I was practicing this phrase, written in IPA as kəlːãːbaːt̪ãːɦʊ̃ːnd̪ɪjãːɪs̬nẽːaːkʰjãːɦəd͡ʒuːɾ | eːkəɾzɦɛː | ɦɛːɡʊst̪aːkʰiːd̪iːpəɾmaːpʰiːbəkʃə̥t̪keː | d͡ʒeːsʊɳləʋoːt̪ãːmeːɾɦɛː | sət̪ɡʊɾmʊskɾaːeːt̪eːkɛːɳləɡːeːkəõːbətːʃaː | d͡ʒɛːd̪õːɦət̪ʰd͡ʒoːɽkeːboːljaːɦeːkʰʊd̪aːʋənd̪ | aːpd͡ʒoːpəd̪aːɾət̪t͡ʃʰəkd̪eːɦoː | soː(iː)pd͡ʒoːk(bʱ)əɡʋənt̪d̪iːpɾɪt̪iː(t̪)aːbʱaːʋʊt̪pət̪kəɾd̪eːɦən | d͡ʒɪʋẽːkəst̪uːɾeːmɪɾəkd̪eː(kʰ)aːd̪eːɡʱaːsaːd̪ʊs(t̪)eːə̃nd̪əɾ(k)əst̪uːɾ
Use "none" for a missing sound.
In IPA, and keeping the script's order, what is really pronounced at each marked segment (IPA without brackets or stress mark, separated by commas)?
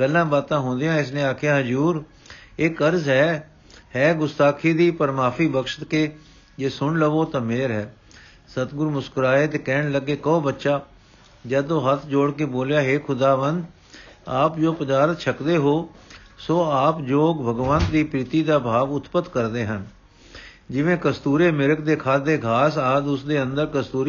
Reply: aː, bʱ, d̪, kʰ, d̪, k